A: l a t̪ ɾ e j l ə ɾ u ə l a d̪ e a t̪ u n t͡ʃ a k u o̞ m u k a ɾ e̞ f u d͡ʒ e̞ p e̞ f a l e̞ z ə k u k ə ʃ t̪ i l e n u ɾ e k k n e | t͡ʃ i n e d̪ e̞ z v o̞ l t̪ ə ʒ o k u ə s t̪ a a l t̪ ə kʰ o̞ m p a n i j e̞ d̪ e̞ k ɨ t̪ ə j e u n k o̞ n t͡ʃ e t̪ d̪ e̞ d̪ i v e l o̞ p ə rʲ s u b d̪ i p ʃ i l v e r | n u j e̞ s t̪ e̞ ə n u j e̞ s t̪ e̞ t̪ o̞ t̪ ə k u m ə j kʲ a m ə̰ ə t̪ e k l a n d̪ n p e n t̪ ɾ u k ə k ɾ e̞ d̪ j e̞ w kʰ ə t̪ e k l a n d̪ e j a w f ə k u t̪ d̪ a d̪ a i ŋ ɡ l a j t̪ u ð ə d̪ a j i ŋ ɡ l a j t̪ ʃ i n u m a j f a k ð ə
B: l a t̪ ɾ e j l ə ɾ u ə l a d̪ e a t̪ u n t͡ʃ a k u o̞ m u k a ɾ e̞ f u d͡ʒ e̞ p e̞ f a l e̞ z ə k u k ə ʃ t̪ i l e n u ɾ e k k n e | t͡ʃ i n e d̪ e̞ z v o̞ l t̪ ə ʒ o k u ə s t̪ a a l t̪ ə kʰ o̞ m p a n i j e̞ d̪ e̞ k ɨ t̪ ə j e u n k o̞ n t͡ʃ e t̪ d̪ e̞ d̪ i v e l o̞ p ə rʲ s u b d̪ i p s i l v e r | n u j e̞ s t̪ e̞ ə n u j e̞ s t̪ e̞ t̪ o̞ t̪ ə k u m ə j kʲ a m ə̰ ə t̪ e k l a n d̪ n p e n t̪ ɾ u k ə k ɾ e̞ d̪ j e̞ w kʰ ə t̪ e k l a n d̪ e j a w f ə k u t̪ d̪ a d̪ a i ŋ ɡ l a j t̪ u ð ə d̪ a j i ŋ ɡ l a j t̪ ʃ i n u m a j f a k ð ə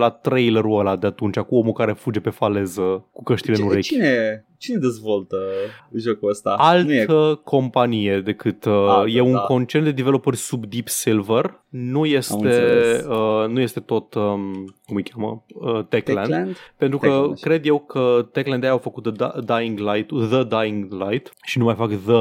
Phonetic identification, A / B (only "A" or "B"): B